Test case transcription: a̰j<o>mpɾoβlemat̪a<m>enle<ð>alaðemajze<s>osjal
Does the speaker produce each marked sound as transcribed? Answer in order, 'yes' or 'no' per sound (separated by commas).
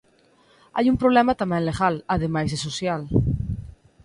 no, yes, no, yes